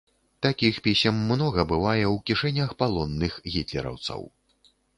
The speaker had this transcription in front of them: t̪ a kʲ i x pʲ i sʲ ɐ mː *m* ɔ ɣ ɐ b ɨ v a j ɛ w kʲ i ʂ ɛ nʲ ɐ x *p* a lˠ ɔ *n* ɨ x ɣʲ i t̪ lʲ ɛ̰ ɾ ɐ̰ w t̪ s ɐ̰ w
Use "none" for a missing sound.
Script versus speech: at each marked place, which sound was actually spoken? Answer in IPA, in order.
n, p, nː

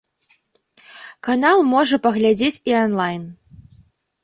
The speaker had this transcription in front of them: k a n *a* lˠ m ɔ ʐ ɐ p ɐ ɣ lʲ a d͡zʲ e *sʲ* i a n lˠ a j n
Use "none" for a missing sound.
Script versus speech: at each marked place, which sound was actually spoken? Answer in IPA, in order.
a, t͡sʲ

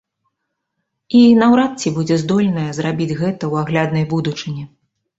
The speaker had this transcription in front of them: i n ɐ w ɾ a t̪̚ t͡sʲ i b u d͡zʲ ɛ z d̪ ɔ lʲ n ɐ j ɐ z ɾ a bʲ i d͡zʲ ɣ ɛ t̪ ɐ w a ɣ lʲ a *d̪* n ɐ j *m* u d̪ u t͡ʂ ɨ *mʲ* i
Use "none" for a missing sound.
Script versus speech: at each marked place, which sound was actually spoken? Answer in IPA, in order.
d̪, b, nʲ

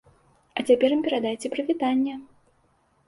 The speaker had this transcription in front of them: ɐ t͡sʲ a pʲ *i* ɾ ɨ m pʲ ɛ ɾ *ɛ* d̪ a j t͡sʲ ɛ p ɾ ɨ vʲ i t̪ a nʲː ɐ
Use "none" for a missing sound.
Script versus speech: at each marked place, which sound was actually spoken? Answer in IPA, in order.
ɛ, a

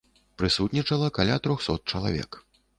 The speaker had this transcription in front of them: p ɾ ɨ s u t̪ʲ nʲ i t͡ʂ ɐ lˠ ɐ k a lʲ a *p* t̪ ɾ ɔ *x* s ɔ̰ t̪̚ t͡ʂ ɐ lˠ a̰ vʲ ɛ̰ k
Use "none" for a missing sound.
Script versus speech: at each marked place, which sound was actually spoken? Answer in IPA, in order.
none, x

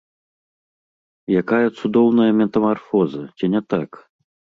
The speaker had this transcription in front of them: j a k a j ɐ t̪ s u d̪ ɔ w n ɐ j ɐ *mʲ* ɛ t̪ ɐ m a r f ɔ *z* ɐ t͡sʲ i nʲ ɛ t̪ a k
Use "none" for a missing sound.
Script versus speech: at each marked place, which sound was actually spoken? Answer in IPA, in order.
mʲ, z

